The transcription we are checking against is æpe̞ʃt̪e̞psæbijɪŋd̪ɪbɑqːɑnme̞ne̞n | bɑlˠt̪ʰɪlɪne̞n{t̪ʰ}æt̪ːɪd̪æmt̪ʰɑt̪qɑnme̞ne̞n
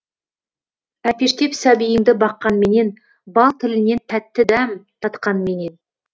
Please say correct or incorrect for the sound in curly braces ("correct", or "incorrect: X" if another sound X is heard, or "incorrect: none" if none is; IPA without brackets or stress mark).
correct